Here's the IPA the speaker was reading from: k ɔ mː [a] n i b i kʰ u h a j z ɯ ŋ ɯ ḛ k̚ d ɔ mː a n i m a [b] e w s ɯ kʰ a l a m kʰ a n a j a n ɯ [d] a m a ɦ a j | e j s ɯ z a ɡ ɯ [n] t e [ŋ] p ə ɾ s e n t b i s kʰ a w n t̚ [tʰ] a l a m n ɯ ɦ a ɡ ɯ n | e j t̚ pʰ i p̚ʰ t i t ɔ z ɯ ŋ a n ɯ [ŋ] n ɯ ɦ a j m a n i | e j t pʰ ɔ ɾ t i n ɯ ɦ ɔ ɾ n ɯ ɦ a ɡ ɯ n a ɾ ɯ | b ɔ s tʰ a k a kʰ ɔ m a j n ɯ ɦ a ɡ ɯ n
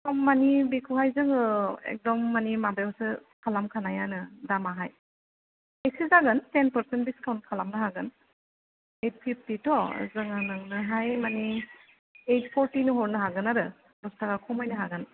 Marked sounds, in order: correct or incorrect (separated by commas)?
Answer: correct, correct, correct, correct, incorrect, incorrect, correct